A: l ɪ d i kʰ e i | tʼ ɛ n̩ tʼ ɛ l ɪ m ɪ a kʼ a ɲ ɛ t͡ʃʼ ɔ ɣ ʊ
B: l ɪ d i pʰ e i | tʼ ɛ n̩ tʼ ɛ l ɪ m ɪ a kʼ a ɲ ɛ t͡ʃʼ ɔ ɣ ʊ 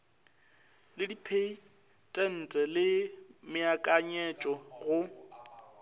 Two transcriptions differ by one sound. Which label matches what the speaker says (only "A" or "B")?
B